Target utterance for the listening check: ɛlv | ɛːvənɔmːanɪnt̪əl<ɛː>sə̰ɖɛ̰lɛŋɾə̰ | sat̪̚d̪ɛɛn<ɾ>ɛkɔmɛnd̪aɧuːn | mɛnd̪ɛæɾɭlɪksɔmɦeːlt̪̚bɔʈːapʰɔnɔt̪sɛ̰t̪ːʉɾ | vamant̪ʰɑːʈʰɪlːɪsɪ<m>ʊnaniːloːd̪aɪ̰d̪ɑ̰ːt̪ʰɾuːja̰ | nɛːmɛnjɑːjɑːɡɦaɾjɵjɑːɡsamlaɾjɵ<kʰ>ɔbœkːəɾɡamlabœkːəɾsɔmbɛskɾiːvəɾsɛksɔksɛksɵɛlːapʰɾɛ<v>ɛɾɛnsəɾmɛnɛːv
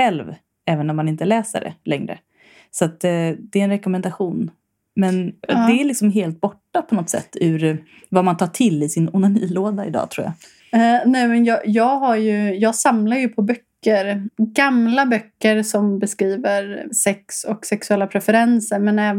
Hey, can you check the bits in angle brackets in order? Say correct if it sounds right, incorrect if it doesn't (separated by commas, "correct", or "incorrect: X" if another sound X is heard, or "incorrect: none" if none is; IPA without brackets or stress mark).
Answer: correct, correct, incorrect: n, incorrect: pʰ, incorrect: f